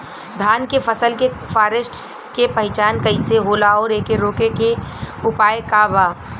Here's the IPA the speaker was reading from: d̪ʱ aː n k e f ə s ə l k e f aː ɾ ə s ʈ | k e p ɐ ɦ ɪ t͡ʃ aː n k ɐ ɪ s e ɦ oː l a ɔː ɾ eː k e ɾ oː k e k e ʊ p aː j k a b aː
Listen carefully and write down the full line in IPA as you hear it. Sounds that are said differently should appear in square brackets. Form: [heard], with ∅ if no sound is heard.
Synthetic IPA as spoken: d̪ʱ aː n k e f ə s ə l k e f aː ɾ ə s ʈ | k e p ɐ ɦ ɪ t͡ʃ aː n k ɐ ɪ s e ɦ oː l a ɔː ɾ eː k e ɾ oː k e k e ʊ p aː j k a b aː